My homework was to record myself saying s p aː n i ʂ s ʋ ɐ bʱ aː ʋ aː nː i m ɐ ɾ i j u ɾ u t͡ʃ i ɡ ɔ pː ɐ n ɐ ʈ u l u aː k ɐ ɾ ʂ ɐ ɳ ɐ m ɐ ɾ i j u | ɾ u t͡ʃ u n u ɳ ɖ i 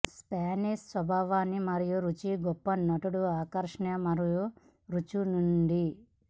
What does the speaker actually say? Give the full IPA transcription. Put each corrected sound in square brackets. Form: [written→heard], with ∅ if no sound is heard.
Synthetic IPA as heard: s p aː n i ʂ s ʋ ɐ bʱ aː ʋ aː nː i m ɐ ɾ i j u ɾ u t͡ʃ i ɡ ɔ pː ɐ n ɐ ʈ u [l→ɽ] u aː k ɐ ɾ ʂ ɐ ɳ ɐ m ɐ ɾ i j u | ɾ u t͡ʃ u n u ɳ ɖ i